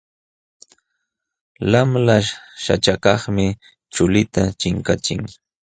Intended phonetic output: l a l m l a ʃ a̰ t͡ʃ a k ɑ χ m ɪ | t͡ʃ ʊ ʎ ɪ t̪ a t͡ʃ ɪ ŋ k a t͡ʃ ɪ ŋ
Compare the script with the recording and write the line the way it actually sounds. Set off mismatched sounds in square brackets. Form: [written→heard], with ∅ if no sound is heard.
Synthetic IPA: l a [l→∅] m l a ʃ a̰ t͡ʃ a k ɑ χ m ɪ | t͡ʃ ʊ [ʎ→l] ɪ t̪ a t͡ʃ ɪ ŋ k a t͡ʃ ɪ ŋ